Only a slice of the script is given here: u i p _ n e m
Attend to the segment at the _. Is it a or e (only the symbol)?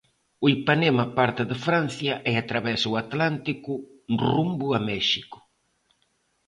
a